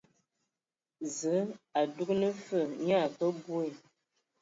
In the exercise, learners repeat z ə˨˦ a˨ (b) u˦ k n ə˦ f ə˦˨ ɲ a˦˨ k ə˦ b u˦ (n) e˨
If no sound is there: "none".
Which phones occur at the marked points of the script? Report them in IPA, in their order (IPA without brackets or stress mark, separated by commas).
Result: d, none